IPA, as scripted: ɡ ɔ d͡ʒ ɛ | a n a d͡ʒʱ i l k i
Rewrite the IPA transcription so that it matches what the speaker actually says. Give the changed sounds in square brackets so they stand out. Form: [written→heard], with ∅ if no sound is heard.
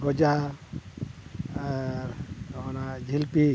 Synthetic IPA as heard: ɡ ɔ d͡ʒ [ɛ→a] | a n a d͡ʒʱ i l [k→p] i

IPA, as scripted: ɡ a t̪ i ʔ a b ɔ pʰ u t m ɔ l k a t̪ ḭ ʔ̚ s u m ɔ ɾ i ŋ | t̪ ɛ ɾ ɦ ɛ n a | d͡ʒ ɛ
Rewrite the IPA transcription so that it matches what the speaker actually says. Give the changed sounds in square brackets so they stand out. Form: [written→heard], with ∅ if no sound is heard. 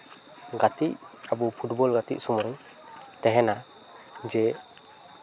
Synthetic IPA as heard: ɡ a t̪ i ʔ a b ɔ pʰ u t [m→b] ɔ l [k→ɡ] a t̪ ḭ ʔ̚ s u m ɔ ɾ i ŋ | t̪ ɛ [ɾ→∅] ɦ ɛ n a | d͡ʒ ɛ

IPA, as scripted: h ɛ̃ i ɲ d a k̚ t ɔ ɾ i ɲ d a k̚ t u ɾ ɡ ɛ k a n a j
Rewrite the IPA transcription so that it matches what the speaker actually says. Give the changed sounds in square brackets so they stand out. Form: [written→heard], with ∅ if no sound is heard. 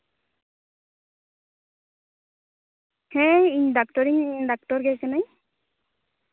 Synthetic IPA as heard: h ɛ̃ i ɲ d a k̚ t ɔ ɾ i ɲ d a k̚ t [u→ɔ] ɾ ɡ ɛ k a n a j

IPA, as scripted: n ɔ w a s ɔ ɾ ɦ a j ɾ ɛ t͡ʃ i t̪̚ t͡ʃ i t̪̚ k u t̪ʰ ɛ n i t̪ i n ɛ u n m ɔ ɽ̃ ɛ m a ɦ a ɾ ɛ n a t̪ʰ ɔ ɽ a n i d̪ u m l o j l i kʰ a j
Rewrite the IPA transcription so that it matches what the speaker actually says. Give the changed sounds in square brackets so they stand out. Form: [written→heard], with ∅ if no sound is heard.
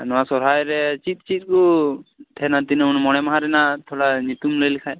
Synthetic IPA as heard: n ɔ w a s ɔ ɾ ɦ a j ɾ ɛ t͡ʃ i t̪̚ t͡ʃ i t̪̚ k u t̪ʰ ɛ n [i→a] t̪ i n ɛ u n m ɔ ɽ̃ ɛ m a ɦ a ɾ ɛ n a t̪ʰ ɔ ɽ a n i [d̪→t̪] u m l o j l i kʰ a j

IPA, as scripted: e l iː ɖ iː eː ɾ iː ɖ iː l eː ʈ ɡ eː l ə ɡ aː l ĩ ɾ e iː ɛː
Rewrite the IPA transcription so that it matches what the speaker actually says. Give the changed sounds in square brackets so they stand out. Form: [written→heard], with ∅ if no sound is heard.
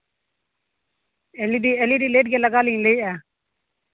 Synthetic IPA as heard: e l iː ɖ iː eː [ɾ→l] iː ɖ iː l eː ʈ ɡ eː l ə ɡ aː l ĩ [ɾ→l] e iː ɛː

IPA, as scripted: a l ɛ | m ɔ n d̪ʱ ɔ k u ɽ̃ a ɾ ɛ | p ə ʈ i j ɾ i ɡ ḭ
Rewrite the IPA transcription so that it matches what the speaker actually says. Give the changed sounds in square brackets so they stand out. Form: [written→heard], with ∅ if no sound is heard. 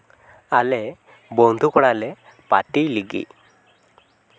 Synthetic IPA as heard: a l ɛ | [m→b] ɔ n d̪ʱ [ɔ→u] k [u→ɔ] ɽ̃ a [ɾ→l] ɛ | p [ə→a] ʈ i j [ɾ→l] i ɡ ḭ

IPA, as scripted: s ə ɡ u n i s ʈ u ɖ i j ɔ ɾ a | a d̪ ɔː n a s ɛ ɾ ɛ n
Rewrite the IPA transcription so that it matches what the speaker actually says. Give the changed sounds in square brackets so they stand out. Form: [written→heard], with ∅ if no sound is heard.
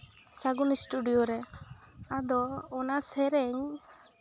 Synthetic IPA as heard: s [ə→a] ɡ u n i s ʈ u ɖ i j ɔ ɾ [a→ɛ] | a d̪ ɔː n a s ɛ ɾ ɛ [n→ɲ]

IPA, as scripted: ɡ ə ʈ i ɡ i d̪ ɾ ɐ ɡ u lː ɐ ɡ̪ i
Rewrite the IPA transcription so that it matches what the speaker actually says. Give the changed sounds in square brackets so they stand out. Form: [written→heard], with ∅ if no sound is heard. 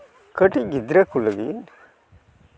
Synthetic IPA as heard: [ɡ→k] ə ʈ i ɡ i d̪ ɾ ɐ [ɡ→k] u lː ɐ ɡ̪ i

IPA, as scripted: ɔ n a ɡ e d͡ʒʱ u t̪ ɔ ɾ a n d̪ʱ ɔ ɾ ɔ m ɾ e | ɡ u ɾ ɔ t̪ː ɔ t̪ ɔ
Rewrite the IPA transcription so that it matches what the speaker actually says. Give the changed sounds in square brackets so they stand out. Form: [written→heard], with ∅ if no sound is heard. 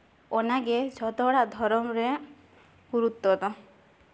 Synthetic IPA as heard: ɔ n a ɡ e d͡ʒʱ [u→ɔ] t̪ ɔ [ɾ→ɽ] a [n→∅] d̪ʱ ɔ ɾ ɔ m ɾ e | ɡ u ɾ [ɔ→u] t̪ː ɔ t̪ ɔ

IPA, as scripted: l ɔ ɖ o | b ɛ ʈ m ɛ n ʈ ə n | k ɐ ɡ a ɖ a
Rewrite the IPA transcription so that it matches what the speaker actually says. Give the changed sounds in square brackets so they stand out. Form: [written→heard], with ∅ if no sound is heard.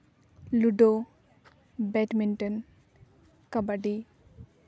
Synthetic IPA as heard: l [ɔ→u] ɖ o | b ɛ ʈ m [ɛ→i] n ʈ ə n | k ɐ [ɡ→b] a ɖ [a→i]

